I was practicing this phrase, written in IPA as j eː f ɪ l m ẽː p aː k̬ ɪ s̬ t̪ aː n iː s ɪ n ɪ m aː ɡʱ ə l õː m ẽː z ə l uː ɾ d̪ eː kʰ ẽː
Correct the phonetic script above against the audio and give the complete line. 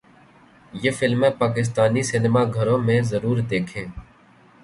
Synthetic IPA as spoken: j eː f ɪ l m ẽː p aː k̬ ɪ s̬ t̪ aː n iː s ɪ n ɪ m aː ɡʱ ə ɾ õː m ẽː z ə ɾ uː ɾ d̪ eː kʰ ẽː